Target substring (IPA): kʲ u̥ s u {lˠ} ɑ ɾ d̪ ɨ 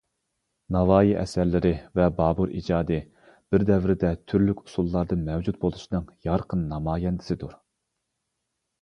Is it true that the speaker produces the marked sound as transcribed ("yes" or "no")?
no